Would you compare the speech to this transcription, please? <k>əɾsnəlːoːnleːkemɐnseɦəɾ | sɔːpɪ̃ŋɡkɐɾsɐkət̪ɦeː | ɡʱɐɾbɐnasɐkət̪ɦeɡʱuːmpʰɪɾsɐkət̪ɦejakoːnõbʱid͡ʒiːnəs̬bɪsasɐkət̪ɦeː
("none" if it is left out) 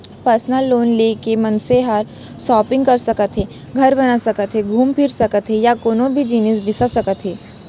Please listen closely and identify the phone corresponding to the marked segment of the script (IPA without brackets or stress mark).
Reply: p